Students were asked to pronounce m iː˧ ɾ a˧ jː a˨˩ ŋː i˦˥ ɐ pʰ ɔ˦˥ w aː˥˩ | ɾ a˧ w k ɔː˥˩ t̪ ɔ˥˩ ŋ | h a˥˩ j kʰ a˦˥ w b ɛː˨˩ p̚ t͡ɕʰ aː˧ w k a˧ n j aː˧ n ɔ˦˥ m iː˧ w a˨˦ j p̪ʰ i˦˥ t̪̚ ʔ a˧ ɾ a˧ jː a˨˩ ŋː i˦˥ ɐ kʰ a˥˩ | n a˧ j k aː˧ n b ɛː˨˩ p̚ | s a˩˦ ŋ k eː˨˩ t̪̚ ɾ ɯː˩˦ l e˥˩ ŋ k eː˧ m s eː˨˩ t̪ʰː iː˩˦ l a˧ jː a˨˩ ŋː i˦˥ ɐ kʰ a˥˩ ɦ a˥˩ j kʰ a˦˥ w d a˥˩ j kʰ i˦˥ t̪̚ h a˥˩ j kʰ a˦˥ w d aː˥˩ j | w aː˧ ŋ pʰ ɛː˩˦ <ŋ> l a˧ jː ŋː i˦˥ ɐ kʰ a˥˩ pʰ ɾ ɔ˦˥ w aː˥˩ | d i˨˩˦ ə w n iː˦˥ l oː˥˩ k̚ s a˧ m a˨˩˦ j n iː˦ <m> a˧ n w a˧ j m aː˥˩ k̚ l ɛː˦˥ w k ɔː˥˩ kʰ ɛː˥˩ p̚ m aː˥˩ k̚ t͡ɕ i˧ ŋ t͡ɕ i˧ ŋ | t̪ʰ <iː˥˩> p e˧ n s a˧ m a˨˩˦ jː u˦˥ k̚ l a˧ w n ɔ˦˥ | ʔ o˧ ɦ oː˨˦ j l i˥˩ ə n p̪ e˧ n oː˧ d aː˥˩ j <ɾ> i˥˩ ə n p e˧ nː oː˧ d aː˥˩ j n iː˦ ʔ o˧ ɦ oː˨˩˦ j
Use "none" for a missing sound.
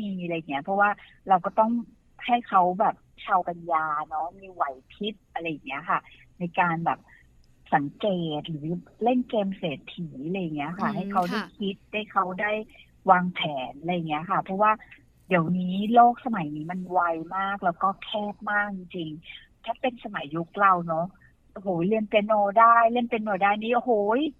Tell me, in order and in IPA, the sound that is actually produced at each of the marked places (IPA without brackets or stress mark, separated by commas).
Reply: n, m, aː˥˩, l